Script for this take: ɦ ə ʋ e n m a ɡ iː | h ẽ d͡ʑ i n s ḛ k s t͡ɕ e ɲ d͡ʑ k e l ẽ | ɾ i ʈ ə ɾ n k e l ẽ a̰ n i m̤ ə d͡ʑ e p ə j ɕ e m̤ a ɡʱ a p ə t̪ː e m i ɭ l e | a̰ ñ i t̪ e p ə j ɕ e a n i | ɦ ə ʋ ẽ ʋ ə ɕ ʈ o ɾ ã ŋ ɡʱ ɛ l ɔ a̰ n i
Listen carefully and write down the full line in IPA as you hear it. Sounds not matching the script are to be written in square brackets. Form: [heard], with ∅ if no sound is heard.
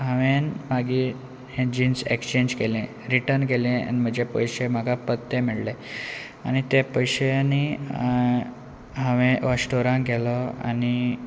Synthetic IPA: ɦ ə ʋ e n m a ɡ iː | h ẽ d͡ʑ i n s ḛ k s t͡ɕ e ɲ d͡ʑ k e l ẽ | ɾ i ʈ ə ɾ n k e l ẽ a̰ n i m̤ ə d͡ʑ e p ə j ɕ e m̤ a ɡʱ a p ə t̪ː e m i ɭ l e | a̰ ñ i t̪ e p ə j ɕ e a n i | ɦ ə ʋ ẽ ʋ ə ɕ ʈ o ɾ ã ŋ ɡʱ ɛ l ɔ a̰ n i